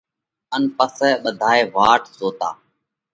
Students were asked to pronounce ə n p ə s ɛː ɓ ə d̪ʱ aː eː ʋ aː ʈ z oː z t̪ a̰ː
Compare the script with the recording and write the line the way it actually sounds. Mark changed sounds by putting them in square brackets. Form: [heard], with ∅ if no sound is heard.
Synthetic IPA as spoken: ə n p ə s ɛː ɓ ə d̪ʱ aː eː ʋ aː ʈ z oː [∅] t̪ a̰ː